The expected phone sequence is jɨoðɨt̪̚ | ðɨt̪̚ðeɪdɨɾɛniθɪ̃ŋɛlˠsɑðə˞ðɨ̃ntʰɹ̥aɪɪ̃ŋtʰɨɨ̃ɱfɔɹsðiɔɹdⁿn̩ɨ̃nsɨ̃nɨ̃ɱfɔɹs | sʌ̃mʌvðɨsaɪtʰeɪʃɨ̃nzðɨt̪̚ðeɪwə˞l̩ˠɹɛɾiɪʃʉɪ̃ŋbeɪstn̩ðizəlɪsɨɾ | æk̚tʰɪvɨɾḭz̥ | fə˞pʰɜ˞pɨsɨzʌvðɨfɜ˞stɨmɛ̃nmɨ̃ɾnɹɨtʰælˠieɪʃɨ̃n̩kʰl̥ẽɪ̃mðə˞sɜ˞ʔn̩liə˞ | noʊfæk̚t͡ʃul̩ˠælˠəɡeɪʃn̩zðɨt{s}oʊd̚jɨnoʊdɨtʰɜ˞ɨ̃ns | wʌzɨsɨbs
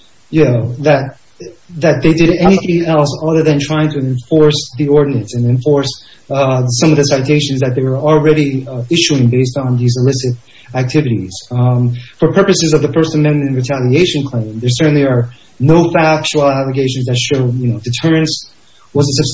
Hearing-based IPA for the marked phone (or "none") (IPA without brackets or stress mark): ʃ